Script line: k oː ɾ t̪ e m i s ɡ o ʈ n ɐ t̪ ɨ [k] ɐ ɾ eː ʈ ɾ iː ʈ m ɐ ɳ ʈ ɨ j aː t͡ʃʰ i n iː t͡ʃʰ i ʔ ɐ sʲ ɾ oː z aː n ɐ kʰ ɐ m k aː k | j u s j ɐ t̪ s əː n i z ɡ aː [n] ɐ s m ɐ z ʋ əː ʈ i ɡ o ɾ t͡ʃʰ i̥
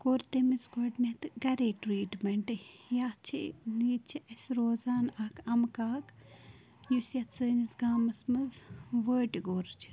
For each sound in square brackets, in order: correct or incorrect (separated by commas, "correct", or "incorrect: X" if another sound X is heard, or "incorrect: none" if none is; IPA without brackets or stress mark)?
incorrect: ɡ, incorrect: m